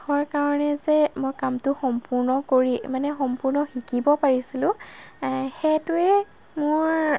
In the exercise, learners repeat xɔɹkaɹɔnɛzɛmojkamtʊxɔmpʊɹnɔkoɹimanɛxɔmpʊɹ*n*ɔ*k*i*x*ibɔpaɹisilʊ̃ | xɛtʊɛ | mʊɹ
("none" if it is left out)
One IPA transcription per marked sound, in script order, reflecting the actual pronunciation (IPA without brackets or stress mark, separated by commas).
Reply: n, x, k